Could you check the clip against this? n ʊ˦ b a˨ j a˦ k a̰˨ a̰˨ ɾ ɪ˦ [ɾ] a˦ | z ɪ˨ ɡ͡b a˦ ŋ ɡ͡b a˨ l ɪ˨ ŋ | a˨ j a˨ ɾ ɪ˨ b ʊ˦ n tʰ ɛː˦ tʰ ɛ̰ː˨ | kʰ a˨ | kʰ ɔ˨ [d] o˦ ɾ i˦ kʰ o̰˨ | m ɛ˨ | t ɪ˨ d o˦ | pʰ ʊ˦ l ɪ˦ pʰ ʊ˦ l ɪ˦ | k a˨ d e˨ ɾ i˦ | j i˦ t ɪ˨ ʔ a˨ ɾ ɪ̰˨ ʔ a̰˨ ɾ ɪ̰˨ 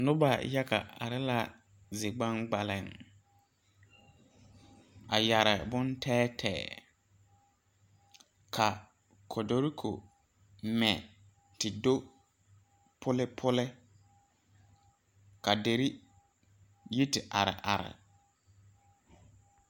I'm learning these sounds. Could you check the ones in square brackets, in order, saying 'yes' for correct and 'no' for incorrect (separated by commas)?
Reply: no, yes